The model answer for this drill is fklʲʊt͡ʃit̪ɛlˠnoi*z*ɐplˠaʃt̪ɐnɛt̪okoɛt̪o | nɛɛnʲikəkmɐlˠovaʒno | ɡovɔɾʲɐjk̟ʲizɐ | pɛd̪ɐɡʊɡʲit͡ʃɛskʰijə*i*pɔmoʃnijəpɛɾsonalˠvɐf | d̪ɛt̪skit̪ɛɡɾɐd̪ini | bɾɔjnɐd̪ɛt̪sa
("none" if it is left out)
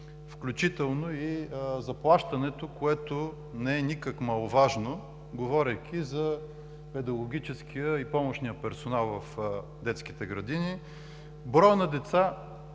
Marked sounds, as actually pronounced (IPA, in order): z, i

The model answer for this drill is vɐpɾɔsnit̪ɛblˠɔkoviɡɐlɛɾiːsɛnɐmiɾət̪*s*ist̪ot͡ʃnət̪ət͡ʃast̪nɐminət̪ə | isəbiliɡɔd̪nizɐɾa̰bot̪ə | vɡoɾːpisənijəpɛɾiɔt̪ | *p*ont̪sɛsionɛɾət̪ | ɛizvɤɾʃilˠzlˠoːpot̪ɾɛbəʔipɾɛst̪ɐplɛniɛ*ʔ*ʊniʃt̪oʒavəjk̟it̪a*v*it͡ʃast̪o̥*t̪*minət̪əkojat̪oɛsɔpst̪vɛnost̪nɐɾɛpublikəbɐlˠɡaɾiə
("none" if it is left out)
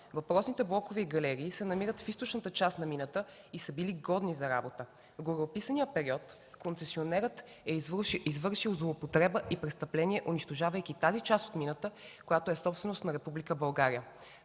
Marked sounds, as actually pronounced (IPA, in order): f, k, ʔ, z, t̪

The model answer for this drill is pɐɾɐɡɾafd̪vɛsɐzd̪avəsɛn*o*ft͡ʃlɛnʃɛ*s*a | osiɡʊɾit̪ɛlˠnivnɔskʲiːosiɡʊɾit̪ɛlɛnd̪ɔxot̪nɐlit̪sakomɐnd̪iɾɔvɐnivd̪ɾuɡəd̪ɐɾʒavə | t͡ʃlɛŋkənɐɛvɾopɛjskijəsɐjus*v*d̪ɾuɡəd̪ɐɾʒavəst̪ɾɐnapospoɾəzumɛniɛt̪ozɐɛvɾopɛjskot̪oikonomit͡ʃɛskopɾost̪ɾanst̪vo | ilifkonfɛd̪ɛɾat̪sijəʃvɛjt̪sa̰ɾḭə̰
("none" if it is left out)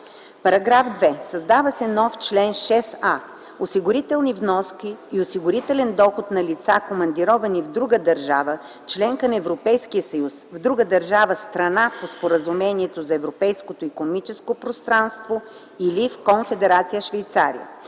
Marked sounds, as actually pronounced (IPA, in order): ɔ, s, v

